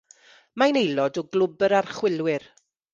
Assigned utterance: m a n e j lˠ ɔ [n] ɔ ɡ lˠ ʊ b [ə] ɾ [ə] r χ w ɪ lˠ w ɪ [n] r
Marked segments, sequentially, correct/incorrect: incorrect, correct, incorrect, incorrect

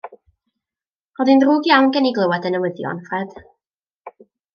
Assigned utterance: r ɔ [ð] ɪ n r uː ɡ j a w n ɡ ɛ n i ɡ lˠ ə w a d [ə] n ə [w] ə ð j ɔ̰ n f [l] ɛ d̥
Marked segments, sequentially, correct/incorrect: correct, correct, correct, incorrect

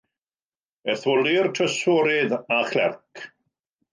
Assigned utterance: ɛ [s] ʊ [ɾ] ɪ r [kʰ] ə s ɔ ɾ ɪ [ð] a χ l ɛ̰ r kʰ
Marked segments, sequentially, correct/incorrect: incorrect, incorrect, incorrect, correct

